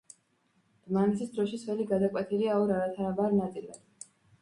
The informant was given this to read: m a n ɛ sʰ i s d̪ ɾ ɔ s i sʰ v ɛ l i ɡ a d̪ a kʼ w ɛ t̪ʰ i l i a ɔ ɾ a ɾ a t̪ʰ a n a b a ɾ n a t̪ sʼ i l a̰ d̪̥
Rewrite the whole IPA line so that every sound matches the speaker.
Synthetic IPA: m a n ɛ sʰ i s d̪ ɾ ɔ ʃ i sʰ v ɛ l i ɡ a d̪ a kʼ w ɛ t̪ʰ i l i a ɔ ɾ a ɾ a t̪ʰ a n a b a ɾ n a t̪ sʼ i l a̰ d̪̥